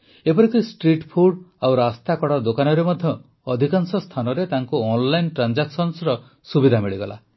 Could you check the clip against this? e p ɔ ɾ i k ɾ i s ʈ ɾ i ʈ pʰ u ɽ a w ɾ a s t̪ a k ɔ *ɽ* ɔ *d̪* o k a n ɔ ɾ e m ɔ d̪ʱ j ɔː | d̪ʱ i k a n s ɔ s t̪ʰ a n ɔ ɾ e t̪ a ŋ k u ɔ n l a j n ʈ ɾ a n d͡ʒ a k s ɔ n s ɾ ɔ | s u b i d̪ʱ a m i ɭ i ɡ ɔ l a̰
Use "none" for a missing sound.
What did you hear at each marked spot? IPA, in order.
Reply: ɽ, d̪

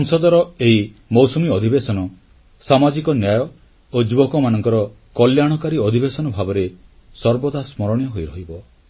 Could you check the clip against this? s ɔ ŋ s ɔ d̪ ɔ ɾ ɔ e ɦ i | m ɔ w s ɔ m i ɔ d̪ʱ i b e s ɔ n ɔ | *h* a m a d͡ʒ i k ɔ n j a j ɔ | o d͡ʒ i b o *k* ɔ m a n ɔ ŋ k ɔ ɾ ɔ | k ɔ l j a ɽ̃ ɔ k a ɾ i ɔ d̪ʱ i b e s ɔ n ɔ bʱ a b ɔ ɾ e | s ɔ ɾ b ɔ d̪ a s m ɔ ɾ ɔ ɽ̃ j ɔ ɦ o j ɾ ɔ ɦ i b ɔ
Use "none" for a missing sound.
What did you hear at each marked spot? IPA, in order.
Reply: s, k

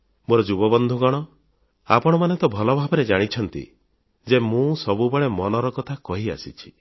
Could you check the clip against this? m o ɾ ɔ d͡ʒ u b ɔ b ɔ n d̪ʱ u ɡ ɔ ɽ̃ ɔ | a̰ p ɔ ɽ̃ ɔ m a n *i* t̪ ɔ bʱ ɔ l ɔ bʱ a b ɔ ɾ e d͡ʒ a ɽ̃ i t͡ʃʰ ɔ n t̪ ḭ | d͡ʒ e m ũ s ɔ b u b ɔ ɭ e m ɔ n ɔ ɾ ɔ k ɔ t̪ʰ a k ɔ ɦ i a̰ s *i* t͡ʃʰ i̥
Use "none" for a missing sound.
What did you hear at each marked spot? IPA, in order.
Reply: e, i

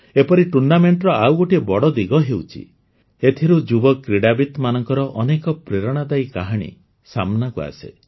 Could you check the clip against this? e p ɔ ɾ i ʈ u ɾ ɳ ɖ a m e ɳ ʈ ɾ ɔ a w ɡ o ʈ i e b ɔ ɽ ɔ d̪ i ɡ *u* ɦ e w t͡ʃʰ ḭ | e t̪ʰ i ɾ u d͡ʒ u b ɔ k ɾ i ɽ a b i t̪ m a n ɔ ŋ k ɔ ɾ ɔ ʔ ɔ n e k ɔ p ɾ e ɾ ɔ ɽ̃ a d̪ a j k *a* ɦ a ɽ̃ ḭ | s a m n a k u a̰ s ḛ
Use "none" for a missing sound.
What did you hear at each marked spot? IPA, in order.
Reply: ɔ, a

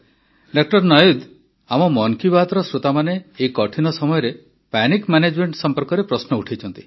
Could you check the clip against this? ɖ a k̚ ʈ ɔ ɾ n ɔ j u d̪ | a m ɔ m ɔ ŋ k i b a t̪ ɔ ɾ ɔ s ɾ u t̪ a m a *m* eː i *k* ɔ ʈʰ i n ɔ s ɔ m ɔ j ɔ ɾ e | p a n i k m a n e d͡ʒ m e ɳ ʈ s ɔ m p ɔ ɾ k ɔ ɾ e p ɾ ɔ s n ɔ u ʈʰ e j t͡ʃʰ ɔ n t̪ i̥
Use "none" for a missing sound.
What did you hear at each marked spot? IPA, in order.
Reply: n, k

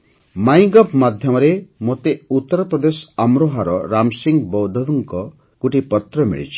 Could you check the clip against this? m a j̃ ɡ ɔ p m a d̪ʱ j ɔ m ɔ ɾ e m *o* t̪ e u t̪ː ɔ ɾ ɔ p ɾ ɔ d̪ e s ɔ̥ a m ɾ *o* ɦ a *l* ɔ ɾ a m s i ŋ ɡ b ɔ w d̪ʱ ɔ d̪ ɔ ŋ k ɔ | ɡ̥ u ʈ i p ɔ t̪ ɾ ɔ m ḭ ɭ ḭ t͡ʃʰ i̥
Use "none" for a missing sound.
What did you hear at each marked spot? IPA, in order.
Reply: o, o, ɾ

